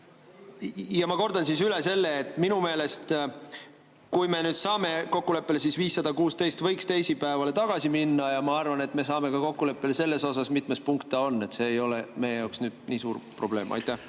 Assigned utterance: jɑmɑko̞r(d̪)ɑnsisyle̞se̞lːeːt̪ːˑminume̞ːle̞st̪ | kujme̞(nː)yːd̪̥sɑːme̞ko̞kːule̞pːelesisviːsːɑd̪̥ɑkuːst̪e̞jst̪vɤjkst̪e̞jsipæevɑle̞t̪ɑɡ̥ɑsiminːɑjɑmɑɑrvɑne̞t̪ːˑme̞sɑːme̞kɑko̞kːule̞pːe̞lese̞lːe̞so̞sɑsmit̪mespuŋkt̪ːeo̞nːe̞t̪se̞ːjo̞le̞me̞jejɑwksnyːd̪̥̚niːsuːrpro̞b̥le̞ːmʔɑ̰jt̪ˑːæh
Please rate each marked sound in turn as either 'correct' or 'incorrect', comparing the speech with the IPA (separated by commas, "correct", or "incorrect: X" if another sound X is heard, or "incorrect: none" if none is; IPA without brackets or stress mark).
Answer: correct, incorrect: n